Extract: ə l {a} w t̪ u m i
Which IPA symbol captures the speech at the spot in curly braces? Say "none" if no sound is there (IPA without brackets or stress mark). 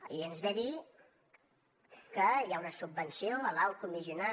a